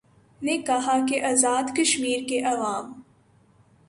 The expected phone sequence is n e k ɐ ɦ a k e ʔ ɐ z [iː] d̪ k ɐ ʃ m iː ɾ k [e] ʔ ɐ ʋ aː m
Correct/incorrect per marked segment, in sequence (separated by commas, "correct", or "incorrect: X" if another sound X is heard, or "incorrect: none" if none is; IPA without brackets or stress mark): incorrect: aː, correct